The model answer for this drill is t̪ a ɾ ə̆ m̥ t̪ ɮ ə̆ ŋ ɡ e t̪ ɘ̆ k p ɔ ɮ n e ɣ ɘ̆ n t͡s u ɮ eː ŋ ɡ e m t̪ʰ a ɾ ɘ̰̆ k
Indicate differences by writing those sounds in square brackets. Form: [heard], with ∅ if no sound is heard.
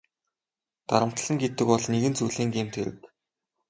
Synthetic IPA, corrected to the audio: t̪ a ɾ ə̆ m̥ t̪ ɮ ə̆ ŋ ɡ e t̪ ɘ̆ k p ɔ ɮ n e ɣ ɘ̆ n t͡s u ɮ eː ŋ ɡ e m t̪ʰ [e] ɾ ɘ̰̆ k